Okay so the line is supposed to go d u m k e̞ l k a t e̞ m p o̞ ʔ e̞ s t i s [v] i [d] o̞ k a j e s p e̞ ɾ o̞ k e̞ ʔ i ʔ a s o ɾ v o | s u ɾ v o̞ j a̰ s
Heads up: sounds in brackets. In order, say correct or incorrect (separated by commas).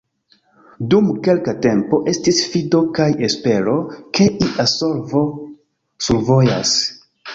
incorrect, correct